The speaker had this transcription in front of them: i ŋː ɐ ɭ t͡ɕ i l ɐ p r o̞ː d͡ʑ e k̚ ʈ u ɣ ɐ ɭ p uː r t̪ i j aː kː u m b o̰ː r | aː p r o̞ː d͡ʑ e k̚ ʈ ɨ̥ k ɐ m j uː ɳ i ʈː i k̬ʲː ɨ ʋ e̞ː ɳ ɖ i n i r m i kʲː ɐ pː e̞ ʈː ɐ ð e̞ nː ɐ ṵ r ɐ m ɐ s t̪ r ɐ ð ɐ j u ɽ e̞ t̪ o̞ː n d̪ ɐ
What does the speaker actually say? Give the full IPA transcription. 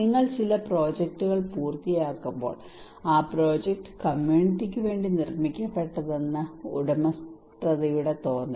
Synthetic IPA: i ŋː ɐ ɭ t͡ɕ i l ɐ p r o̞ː d͡ʑ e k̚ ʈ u ɣ ɐ ɭ p uː r t̪ i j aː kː u m b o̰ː ɭ | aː p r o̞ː d͡ʑ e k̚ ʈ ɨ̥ k ɐ m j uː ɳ i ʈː i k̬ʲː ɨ ʋ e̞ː ɳ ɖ i n i r m i kʲː ɐ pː e̞ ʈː ɐ ð e̞ nː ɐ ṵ ɽ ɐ m ɐ s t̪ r ɐ ð ɐ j u ɽ e̞ t̪ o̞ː n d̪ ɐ